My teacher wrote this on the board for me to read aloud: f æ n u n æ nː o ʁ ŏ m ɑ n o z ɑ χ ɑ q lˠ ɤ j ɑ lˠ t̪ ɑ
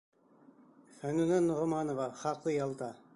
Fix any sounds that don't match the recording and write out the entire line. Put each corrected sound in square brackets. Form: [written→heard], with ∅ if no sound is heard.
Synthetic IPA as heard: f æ n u n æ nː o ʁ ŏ m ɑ n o [z→v] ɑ χ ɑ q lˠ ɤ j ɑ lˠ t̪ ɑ